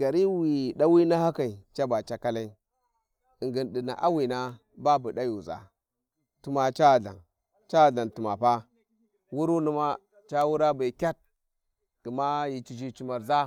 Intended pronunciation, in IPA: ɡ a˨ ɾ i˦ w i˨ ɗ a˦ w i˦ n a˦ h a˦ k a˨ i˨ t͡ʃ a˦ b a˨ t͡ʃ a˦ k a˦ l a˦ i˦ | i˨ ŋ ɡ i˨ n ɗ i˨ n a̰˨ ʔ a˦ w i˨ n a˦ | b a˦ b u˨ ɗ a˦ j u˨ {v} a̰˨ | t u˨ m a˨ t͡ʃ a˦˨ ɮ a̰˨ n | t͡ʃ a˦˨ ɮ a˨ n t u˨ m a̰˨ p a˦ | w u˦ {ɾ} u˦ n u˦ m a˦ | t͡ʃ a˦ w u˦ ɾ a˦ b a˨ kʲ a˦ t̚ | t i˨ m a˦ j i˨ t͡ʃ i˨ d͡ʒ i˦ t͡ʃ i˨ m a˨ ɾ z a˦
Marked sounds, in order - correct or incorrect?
incorrect, correct

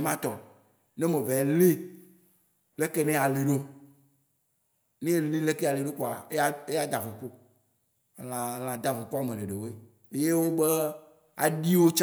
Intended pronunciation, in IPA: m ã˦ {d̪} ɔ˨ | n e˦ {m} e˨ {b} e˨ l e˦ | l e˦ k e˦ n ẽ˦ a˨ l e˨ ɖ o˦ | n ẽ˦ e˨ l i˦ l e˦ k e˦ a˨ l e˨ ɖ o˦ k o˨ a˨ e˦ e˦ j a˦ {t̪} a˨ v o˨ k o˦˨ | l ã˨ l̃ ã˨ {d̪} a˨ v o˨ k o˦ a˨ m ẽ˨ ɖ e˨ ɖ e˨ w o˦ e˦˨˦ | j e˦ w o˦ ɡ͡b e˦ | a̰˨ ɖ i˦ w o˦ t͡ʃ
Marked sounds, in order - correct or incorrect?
incorrect, correct, incorrect, incorrect, correct

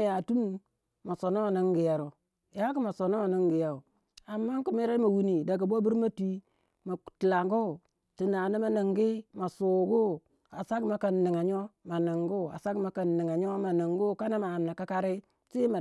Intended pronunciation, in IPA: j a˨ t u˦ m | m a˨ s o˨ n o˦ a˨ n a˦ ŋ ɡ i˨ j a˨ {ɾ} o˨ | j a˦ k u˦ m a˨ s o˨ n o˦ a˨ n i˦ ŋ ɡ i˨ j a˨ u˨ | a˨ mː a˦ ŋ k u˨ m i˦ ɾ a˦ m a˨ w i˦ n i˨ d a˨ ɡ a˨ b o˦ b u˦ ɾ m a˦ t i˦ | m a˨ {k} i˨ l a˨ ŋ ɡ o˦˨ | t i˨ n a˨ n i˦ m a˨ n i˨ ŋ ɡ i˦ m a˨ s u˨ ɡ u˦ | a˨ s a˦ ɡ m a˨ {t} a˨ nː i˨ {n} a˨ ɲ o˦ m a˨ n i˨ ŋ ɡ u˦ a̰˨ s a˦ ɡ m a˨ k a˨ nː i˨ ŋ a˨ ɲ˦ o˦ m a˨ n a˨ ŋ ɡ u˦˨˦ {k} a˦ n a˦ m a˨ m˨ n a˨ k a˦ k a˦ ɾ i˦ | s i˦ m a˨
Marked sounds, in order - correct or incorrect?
correct, incorrect, incorrect, incorrect, correct

